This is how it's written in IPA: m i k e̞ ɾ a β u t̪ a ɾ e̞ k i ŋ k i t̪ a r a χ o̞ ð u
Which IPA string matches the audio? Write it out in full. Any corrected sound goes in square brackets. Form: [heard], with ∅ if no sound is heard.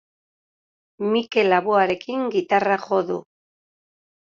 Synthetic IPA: m i k e̞ [l] a β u [∅] a ɾ e̞ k i ŋ [ɡ] i t̪ a r a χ o̞ ð u